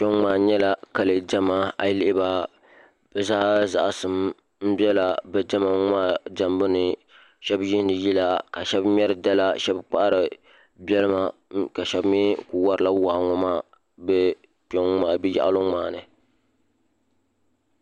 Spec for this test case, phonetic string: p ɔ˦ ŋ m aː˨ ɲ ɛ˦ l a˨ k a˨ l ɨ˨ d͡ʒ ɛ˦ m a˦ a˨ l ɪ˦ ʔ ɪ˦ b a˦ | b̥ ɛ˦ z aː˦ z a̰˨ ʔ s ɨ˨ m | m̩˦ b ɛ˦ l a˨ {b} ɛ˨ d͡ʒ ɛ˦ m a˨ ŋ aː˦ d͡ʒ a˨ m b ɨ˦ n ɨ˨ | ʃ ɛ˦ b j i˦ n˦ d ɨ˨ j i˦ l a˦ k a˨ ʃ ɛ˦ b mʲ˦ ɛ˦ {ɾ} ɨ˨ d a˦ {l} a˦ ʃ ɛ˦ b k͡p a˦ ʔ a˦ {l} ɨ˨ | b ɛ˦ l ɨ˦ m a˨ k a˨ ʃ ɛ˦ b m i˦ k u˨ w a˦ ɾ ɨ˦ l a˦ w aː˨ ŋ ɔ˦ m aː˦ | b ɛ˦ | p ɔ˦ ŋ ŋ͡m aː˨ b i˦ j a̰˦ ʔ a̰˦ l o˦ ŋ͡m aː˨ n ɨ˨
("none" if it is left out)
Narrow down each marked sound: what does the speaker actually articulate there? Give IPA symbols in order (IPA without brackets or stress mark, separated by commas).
b, ɾ, l, ɾ